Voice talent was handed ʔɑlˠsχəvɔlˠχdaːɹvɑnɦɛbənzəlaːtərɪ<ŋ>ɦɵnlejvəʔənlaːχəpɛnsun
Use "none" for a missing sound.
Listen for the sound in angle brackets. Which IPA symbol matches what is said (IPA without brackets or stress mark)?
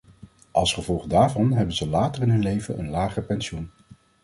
n